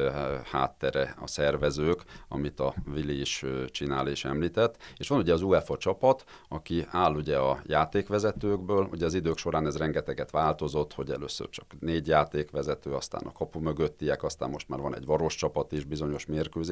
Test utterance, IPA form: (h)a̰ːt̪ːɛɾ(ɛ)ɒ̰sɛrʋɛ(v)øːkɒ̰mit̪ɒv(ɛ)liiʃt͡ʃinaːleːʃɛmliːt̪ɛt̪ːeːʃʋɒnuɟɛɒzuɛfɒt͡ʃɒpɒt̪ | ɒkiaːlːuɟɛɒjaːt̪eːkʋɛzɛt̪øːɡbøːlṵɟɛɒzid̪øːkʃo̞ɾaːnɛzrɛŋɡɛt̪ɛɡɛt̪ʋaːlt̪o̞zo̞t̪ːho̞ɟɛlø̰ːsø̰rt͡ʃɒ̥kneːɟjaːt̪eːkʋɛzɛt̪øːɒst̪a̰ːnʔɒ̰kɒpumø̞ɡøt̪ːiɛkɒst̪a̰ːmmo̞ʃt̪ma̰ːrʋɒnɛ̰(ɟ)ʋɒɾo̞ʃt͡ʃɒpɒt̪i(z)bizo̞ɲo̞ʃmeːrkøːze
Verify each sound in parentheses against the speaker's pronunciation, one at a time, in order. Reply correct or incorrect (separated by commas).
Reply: correct, correct, incorrect, incorrect, correct, incorrect